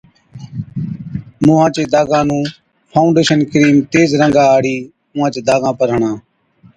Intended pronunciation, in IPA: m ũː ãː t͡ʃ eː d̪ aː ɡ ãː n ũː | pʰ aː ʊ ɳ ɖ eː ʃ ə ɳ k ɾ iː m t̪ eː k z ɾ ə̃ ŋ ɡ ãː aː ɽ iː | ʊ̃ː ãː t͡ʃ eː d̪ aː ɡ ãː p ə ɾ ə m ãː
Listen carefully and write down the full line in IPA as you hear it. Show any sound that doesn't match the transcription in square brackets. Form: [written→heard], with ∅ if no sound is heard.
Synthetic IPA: m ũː ãː t͡ʃ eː d̪ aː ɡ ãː n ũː | pʰ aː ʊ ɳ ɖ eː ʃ ə [ɳ→n] k ɾ iː m t̪ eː [k→∅] z ɾ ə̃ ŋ ɡ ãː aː ɽ iː | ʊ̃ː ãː t͡ʃ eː d̪ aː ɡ ãː p ə ɾ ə [m→ɳ] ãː

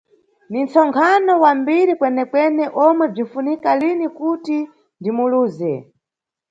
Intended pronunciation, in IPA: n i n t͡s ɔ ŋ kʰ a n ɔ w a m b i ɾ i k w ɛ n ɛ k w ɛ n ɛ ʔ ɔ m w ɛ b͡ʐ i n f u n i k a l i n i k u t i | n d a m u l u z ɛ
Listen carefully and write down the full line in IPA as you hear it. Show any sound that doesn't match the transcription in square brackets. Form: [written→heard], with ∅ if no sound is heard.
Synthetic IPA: n i n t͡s ɔ ŋ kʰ a n ɔ w a m b i ɾ i k w ɛ n ɛ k w ɛ n ɛ ʔ ɔ m w ɛ b͡ʐ i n f u n i k a l i n i k u t i | n d [a→i] m u l [u→uː] z ɛ

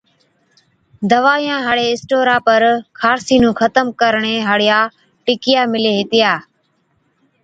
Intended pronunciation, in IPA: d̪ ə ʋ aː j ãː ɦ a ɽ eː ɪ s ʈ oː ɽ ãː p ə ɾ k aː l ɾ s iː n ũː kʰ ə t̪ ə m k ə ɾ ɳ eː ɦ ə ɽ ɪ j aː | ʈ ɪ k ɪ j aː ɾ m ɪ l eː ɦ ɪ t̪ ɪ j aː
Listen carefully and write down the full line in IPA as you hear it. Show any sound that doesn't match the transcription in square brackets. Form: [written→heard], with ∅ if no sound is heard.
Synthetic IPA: d̪ ə ʋ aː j ãː ɦ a ɽ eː ɪ s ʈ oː [ɽ→ɾ] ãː p ə ɾ [k→kʰ] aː [l→∅] ɾ s iː n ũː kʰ ə t̪ ə m k ə ɾ ɳ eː ɦ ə ɽ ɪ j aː | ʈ ɪ k ɪ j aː [ɾ→∅] m ɪ l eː ɦ ɪ t̪ ɪ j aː

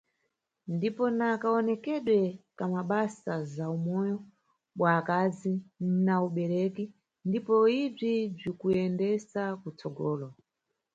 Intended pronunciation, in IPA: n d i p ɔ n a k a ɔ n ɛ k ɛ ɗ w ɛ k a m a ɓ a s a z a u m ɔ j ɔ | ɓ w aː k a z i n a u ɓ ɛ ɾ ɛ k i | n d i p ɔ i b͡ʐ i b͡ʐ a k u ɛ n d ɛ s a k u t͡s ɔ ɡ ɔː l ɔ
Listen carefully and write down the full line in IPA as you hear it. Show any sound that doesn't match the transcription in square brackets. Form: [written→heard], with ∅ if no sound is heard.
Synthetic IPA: n d i p ɔ n a k a ɔ n ɛ k ɛ ɗ w ɛ k a m a ɓ a s a z a u m ɔ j ɔ | ɓ w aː k a z i n a u ɓ ɛ ɾ ɛ k i | n d i p ɔ i b͡ʐ i b͡ʐ [a→i] k u ɛ n d ɛ s a k u t͡s ɔ ɡ ɔː l ɔ

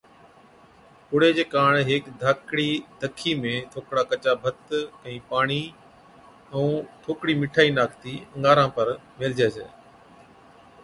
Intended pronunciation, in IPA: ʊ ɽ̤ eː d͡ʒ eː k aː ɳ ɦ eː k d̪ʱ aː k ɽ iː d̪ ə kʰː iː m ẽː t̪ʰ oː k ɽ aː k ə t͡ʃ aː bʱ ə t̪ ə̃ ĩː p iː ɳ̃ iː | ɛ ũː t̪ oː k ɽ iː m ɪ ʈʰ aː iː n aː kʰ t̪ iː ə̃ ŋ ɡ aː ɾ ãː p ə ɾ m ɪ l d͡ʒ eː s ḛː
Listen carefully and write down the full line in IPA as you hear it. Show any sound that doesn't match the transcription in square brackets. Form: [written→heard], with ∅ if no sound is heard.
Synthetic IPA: ʊ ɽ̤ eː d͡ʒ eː k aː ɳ ɦ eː k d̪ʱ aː k ɽ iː d̪ ə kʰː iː m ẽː t̪ʰ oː k ɽ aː k ə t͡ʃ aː bʱ ə t̪ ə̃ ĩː p [iː→aː] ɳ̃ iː | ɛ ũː [t̪→t̪ʰ] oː k ɽ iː m ɪ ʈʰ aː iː n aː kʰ t̪ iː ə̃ ŋ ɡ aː ɾ ãː p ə ɾ m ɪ l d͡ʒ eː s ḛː

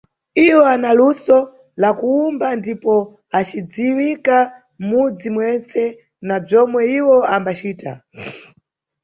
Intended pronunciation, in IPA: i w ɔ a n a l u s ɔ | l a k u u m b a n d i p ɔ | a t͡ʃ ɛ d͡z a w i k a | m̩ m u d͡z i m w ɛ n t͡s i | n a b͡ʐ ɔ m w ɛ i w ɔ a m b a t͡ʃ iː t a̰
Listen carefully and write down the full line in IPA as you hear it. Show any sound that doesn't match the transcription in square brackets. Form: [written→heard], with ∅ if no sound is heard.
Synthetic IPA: i w ɔ a n a l u s ɔ | l a k u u m b a n d i p ɔ | a t͡ʃ [ɛ→i] d͡z [a→i] w i k a | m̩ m u d͡z i m w ɛ n t͡s [i→ɛ] | n a b͡ʐ ɔ m w ɛ i w ɔ a m b a t͡ʃ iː t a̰

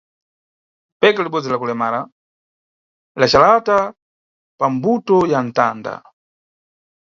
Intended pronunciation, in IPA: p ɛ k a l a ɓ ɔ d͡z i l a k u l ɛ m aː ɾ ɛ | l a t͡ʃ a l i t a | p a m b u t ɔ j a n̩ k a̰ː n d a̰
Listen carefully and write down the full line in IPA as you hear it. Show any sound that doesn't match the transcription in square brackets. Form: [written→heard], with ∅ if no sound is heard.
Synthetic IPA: p ɛ k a l [a→i] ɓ ɔ d͡z i l a k u l ɛ m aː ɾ [ɛ→a] | l a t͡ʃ a l [i→a] t a | p a m b u t ɔ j a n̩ [k→t] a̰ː n d a̰

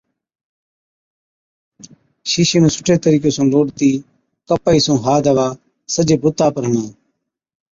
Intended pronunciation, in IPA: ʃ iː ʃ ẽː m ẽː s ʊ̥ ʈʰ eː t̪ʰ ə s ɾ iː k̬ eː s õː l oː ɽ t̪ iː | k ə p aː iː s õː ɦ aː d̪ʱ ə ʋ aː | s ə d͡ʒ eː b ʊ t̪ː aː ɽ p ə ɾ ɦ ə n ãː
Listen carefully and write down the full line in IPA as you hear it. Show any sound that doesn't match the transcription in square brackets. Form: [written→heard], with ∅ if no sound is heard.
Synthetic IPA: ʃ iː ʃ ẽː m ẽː s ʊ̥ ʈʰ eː [t̪ʰ→t̪] ə [s→∅] ɾ iː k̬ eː s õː l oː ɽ t̪ iː | k ə p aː iː s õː ɦ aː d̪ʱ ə ʋ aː | s ə d͡ʒ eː b ʊ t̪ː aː [ɽ→∅] p ə ɾ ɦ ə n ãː

